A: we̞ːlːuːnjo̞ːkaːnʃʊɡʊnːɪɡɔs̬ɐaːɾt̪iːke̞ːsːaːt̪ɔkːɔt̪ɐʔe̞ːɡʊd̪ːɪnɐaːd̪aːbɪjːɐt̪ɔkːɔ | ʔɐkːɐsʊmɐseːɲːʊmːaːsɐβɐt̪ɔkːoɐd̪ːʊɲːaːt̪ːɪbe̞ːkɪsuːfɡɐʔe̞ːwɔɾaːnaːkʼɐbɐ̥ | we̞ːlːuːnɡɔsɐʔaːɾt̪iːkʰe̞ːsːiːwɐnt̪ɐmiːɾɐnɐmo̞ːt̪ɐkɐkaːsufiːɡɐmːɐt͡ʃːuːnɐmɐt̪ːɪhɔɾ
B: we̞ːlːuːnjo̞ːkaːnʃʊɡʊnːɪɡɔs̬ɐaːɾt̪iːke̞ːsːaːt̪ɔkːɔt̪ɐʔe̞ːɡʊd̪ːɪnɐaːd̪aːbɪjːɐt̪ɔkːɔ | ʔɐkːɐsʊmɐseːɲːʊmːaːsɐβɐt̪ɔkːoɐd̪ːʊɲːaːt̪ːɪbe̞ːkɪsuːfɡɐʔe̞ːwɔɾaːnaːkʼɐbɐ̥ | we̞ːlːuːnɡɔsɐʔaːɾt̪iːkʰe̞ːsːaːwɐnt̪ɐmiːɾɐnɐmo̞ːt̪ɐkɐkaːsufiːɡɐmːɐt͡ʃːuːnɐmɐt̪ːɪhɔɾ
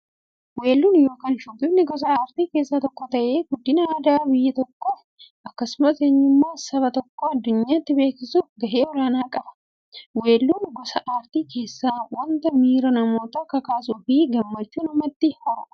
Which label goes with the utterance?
B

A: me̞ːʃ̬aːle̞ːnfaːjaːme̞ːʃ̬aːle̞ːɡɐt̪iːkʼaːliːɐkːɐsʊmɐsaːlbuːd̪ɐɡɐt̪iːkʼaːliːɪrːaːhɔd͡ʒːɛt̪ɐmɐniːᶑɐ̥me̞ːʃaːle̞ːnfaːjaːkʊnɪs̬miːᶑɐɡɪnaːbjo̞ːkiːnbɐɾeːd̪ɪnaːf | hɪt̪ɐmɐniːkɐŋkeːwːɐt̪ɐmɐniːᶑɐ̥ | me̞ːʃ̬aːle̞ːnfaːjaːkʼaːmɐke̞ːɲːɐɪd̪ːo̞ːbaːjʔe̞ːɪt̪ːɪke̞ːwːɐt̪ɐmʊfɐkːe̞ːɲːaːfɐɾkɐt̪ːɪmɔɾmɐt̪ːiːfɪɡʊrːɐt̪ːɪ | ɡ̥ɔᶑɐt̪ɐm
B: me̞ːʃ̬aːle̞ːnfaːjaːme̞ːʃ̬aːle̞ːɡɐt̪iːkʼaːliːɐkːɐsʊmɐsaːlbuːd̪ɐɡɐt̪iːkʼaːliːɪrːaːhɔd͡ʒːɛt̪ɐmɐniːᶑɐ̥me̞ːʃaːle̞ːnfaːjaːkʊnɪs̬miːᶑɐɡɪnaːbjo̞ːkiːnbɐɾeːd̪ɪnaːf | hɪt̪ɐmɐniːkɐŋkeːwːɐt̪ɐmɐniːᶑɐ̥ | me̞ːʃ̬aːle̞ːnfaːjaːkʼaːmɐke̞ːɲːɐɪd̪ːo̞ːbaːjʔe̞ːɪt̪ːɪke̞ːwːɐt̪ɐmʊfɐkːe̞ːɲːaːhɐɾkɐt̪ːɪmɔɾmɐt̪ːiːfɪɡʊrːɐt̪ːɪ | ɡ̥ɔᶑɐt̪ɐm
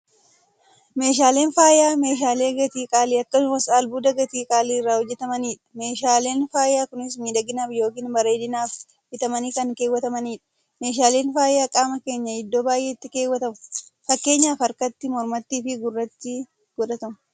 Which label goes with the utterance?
A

